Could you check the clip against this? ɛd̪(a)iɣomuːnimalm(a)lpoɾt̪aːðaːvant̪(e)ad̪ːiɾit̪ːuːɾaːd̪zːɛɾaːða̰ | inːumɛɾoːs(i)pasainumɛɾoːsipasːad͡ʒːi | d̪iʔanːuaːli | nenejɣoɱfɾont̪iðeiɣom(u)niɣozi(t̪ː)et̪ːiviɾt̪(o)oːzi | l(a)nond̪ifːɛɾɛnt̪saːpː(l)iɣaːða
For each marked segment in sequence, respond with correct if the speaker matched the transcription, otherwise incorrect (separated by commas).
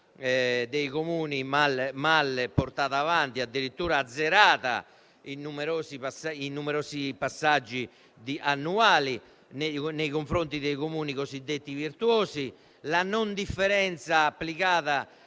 incorrect, correct, incorrect, correct, incorrect, incorrect, incorrect, correct, correct